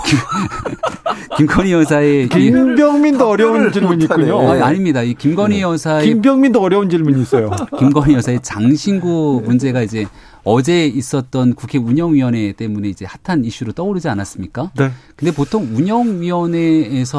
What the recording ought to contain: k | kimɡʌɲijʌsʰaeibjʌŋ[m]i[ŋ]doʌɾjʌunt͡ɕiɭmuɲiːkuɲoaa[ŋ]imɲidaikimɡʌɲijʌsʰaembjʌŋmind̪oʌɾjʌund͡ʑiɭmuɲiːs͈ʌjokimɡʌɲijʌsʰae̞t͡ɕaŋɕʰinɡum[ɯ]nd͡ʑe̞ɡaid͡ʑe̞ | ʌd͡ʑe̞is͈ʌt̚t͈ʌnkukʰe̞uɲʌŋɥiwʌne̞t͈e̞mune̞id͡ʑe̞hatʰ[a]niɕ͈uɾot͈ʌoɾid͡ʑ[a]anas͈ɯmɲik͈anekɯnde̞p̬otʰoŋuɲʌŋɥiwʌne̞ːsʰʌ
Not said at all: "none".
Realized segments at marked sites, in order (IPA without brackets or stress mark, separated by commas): m, n, ɲ, u, a, i